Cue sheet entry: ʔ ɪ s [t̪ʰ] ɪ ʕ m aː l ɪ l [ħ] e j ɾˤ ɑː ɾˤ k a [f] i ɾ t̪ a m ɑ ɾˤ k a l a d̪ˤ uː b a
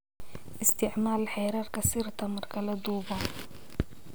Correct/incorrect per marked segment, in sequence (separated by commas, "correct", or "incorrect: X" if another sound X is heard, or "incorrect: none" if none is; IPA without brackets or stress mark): incorrect: t̪, correct, incorrect: s